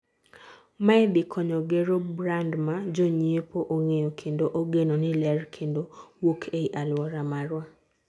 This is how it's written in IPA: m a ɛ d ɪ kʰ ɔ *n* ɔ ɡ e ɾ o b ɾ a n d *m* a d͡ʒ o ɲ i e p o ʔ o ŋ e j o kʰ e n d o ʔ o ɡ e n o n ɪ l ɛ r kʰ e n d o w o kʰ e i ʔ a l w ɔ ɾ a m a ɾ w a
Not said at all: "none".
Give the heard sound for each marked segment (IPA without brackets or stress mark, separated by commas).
ɲ, m